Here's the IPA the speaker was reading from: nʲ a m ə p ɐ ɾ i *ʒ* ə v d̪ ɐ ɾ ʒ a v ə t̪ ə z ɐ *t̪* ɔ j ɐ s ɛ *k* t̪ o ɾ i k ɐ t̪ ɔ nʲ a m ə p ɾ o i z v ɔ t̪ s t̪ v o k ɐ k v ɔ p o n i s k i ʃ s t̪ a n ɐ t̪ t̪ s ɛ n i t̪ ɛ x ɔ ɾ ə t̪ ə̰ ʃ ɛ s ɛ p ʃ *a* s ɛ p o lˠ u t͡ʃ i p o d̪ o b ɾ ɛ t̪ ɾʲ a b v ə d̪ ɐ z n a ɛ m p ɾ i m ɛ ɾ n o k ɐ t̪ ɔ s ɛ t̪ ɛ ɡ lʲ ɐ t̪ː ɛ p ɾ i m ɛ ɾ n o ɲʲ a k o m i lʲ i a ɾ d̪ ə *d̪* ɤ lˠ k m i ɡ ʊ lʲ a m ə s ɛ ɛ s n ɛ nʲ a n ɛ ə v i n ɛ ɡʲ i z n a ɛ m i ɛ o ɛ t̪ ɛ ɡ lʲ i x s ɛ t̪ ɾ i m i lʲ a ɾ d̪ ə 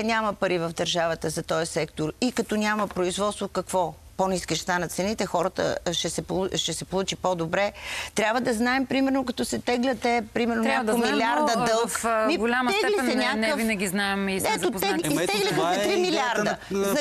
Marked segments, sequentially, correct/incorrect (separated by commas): incorrect, correct, correct, incorrect, correct